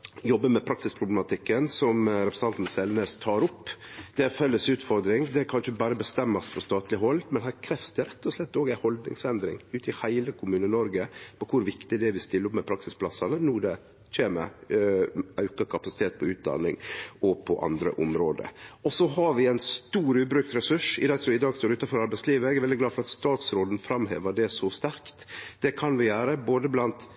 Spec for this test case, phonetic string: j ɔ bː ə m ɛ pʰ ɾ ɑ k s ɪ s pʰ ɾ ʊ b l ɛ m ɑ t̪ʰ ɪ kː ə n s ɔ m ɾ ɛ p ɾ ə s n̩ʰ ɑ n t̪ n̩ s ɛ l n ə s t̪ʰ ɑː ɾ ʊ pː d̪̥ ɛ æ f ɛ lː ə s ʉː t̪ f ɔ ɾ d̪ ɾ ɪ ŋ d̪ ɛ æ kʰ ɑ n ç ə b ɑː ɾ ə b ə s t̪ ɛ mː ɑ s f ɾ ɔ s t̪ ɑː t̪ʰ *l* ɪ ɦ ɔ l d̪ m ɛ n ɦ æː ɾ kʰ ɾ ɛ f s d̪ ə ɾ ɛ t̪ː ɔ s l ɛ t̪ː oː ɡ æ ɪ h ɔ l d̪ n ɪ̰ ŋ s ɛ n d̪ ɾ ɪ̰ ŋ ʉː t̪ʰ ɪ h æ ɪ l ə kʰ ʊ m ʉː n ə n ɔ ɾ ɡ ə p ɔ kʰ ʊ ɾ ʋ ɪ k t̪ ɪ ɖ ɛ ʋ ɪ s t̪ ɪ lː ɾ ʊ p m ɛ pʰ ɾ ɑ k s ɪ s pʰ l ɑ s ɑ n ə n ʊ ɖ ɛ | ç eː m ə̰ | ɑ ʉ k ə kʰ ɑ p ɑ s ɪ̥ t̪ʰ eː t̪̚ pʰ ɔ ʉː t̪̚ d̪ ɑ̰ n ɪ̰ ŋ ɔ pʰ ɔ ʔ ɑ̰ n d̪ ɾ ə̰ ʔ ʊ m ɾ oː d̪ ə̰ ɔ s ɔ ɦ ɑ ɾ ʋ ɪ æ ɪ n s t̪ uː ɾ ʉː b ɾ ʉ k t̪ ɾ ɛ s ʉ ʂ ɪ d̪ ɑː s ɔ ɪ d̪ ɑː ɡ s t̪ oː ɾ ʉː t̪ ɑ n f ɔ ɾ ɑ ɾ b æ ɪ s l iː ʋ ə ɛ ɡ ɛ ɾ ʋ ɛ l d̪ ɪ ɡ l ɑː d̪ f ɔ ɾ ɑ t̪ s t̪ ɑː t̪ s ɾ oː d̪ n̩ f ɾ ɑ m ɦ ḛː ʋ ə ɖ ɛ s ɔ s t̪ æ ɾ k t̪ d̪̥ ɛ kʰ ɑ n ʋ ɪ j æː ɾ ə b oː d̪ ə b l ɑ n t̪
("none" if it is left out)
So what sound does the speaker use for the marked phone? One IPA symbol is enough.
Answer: l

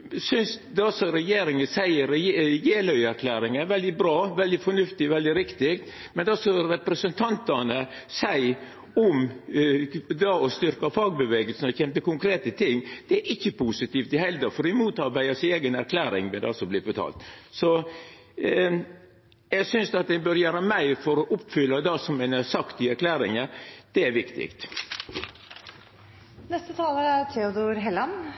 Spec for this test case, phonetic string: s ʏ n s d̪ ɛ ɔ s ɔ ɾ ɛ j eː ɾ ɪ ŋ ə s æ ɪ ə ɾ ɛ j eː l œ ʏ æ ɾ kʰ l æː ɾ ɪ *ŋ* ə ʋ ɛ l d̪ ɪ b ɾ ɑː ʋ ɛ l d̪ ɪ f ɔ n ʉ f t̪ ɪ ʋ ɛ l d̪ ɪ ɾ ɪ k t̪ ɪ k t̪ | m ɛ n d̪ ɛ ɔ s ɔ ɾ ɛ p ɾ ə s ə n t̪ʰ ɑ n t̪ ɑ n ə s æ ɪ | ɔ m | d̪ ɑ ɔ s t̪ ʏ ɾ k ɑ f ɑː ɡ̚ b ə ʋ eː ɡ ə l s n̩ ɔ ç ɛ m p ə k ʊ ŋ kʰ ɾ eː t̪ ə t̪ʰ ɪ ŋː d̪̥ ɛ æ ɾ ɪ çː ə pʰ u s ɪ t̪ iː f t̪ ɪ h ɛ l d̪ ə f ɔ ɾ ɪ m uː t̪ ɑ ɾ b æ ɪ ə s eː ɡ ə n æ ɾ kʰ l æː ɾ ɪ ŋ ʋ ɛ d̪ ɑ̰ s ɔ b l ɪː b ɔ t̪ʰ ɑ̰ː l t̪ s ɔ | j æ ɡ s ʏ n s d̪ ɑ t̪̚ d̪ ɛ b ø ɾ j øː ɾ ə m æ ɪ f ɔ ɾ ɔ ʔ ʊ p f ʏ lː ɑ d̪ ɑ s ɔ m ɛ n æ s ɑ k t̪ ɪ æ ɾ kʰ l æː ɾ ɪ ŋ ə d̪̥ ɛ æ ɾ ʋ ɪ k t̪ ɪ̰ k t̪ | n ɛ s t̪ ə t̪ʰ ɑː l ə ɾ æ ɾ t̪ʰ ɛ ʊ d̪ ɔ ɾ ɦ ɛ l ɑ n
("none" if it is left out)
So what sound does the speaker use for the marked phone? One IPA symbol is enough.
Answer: ŋ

